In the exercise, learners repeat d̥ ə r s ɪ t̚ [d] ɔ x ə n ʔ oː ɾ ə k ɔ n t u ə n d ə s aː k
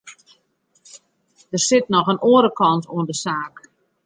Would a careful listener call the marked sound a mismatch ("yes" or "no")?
yes